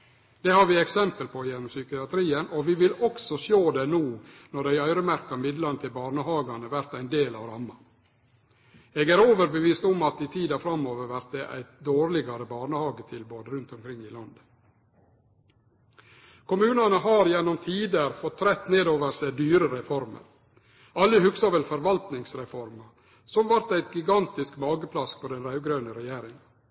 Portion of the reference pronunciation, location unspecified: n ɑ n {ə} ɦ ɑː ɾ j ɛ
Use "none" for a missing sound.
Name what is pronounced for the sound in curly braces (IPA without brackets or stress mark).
ə